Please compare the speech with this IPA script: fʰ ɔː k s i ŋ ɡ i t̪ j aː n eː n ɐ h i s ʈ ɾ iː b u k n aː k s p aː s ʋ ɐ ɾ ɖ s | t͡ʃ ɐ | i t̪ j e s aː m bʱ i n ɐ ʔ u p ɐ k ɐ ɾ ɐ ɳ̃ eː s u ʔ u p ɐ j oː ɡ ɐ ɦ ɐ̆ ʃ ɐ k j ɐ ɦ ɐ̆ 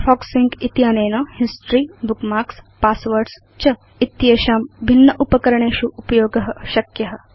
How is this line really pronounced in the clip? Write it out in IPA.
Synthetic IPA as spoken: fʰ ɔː k s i ŋ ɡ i t̪ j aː n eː n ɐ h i s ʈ ɾ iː b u k m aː k s p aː s ʋ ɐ ɾ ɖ s | t͡ʃ ɐ | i t̪ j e ʃ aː m bʱ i nː ɐ ʔ u p ɐ k ɐ ɾ ɐ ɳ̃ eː ʃ u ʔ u p ɐ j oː ɡ ɐ ɦ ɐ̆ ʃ ɐ k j ɐ ɦ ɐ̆